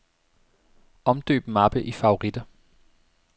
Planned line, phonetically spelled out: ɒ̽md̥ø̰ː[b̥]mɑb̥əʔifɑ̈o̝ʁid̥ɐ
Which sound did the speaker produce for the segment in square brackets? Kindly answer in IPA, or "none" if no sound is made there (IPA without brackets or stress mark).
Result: b̥